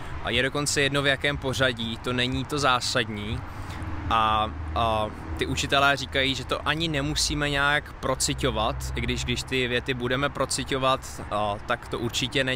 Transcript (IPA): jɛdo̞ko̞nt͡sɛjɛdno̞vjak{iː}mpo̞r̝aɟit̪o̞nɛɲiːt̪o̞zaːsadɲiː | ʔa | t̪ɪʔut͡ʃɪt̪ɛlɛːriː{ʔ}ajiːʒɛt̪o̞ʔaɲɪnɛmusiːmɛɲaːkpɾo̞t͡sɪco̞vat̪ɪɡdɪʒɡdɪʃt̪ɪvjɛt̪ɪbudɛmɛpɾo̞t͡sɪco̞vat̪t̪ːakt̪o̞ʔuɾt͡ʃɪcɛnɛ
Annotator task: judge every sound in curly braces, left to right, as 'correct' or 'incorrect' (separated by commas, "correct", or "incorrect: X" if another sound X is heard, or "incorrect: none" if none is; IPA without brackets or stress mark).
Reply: incorrect: ɛː, incorrect: k